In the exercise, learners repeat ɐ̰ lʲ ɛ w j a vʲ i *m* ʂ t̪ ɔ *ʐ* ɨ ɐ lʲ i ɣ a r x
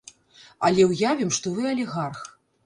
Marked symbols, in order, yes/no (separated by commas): yes, no